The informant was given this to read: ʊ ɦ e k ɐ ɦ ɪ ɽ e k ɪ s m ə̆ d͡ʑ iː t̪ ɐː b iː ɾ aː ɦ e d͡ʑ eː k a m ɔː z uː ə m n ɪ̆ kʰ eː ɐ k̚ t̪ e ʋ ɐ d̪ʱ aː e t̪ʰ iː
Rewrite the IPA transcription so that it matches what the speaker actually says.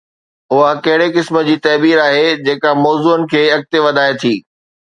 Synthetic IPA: ʊ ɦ a k ɐ ɦ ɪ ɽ e k ɪ s m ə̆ d͡ʑ iː t̪ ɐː b iː ɾ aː ɦ e d͡ʑ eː k a m ɔː z uː ə n ɪ̆ kʰ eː ɐ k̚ t̪ e ʋ ɐ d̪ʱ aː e t̪ʰ iː